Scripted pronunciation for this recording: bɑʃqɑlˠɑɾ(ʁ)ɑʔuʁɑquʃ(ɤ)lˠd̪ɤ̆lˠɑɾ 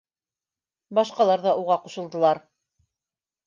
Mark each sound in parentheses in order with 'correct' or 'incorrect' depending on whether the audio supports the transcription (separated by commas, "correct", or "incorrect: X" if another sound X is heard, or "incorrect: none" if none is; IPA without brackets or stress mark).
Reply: incorrect: ð, correct